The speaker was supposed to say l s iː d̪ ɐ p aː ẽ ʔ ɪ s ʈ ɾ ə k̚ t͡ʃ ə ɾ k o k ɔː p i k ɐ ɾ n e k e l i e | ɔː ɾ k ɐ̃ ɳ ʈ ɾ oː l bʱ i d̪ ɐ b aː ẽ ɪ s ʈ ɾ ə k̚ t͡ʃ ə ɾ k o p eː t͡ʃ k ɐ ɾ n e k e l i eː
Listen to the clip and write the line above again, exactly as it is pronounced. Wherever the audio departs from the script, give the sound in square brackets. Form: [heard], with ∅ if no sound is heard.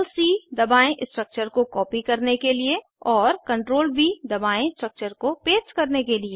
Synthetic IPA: l s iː d̪ ɐ [b] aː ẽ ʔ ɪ s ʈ ɾ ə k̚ t͡ʃ ə ɾ k o k ɔː p i k ɐ ɾ n e k e l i e | ɔː ɾ k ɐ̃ ɳ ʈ ɾ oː l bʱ i d̪ ɐ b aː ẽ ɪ s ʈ ɾ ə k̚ t͡ʃ ə ɾ k o p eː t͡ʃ k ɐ ɾ n e k e l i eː